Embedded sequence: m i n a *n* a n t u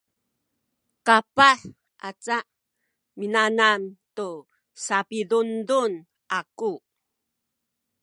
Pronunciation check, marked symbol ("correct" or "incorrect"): correct